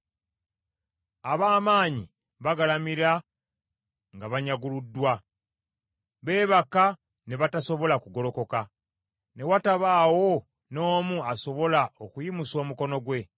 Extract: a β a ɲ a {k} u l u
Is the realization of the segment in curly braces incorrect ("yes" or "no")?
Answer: yes